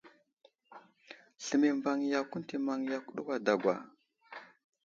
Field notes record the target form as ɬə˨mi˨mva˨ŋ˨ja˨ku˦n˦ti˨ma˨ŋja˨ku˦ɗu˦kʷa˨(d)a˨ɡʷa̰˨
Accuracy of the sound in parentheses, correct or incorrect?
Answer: correct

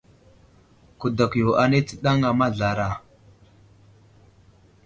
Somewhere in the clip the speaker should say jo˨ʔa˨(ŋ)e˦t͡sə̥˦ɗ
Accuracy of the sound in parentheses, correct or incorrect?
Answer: incorrect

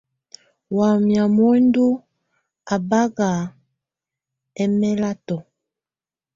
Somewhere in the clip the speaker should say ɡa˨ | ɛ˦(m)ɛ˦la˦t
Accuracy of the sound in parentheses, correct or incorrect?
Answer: correct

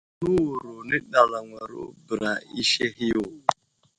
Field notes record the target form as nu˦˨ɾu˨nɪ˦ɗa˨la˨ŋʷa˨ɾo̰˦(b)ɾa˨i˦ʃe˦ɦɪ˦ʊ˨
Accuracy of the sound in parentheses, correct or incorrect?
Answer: correct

